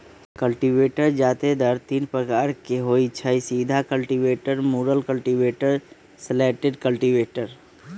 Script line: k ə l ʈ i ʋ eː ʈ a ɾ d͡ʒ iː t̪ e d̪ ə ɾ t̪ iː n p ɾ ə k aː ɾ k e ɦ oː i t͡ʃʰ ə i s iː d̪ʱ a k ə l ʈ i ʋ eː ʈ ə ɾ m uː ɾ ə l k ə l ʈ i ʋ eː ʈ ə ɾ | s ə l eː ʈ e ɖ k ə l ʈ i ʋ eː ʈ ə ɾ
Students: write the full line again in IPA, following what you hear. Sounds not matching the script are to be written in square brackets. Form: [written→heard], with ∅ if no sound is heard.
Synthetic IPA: k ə l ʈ i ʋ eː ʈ [a→ə] ɾ d͡ʒ [iː→aː] t̪ e d̪ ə ɾ t̪ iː n p ɾ ə k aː ɾ k e ɦ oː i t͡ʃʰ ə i s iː d̪ʱ a k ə l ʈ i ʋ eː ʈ ə ɾ m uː ɾ ə l k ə l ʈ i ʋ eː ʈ ə ɾ | s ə l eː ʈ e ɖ k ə l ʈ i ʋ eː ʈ ə ɾ